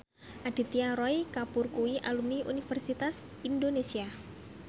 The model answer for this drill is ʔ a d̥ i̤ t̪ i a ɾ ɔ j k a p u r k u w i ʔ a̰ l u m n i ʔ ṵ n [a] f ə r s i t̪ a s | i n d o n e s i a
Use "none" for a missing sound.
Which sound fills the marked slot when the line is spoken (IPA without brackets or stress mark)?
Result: i